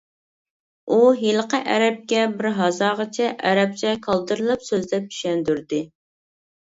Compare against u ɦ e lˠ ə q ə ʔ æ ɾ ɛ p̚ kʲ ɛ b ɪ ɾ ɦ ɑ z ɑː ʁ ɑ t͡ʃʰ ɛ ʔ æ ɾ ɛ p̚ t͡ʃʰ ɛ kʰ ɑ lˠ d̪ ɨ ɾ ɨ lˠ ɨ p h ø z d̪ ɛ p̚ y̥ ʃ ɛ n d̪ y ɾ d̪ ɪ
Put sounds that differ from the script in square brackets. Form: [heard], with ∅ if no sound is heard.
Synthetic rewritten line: u ɦ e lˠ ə q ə ʔ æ ɾ ɛ p̚ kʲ ɛ b ɪ ɾ ɦ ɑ z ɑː ʁ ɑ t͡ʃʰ ɛ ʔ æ ɾ ɛ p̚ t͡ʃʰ ɛ kʰ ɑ lˠ d̪ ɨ ɾ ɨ lˠ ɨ p [s] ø z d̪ ɛ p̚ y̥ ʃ ɛ n d̪ y ɾ d̪ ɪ